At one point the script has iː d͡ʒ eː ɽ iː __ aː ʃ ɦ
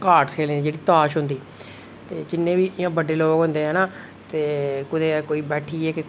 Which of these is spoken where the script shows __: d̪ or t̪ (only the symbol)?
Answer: t̪